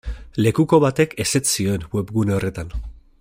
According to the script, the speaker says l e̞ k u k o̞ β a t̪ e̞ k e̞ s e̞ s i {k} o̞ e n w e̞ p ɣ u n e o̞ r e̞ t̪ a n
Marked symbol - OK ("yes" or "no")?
no